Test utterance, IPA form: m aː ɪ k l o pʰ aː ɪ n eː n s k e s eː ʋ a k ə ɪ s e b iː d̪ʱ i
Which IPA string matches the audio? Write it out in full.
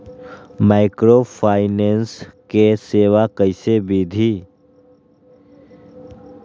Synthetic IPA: m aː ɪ k ɾ o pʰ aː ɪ n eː n s k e s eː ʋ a k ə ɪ s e b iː d̪ʱ i